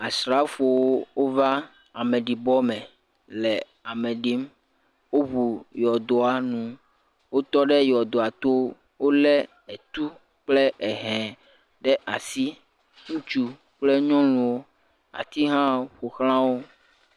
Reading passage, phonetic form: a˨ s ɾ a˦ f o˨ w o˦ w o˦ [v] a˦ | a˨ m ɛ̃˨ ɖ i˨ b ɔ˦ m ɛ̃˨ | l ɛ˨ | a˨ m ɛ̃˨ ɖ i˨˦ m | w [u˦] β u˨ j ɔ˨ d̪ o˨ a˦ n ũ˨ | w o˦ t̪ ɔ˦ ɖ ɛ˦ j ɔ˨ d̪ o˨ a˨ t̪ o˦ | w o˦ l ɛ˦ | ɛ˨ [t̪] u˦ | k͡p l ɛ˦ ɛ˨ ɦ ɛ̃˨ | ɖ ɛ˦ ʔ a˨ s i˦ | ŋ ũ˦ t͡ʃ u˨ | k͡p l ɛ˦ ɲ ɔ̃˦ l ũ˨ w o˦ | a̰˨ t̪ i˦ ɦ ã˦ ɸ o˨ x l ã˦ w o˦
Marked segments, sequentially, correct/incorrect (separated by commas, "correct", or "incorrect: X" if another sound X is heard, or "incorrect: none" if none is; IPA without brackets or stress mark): correct, incorrect: o˦, correct